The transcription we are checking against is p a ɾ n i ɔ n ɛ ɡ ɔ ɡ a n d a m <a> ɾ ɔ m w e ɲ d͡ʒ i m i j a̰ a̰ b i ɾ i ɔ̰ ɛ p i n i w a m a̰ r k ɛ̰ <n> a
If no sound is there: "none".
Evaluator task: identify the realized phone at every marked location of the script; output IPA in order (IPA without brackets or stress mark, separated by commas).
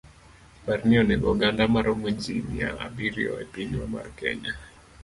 a, ɲ